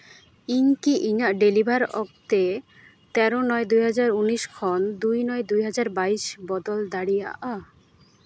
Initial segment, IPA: i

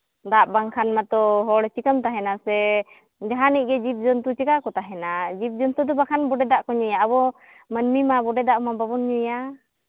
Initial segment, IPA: d̪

